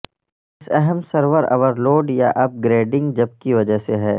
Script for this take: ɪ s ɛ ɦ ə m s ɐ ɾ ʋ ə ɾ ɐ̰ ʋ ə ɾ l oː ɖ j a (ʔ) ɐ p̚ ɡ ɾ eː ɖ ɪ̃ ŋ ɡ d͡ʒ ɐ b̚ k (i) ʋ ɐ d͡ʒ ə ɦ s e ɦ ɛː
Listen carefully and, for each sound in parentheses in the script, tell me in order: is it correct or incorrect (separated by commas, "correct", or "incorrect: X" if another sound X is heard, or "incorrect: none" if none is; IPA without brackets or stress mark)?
correct, correct